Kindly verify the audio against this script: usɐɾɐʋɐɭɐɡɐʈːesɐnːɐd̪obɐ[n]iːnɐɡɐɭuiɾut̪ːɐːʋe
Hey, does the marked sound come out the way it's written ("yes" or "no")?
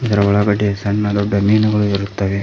no